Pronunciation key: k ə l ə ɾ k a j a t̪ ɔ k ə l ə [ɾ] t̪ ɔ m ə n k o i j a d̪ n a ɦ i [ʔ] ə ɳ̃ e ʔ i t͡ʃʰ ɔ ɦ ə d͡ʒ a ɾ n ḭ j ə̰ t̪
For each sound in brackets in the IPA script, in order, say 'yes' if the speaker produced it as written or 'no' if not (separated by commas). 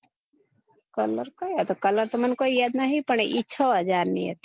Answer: yes, no